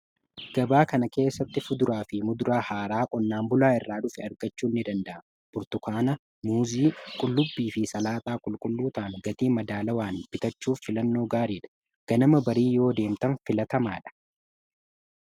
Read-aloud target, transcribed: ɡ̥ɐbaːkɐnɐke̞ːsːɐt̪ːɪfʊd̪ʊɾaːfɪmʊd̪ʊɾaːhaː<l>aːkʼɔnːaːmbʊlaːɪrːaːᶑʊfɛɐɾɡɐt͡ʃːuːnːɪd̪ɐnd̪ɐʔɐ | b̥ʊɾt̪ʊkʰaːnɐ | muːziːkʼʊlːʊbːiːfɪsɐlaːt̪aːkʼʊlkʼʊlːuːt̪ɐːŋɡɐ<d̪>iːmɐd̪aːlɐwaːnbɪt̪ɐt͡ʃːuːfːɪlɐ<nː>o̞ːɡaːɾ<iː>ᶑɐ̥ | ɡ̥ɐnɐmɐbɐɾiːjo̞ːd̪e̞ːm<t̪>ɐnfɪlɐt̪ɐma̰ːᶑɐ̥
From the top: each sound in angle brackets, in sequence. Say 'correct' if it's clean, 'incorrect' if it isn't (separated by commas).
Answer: incorrect, incorrect, correct, correct, correct